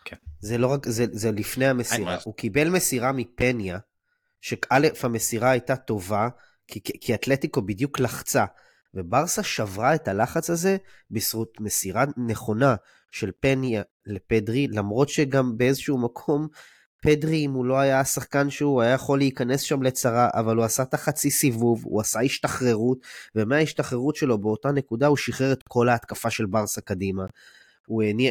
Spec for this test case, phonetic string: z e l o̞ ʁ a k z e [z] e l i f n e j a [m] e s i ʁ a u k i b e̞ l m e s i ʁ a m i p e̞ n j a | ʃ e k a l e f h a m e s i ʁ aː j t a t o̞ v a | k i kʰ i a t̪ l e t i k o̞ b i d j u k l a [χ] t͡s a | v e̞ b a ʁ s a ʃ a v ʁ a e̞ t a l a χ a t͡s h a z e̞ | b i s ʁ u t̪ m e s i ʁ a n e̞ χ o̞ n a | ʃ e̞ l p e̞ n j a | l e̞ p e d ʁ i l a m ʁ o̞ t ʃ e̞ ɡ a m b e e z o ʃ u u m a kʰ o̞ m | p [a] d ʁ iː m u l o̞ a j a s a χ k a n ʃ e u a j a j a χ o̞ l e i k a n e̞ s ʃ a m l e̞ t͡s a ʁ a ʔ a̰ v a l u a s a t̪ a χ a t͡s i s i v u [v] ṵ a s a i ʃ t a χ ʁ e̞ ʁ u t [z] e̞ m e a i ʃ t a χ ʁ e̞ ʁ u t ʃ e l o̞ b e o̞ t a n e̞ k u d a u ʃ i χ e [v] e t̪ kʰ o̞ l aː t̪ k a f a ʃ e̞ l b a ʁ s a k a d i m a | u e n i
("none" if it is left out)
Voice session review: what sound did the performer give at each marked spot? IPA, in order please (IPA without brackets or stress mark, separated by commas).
z, m, χ, e, v, v, ʁ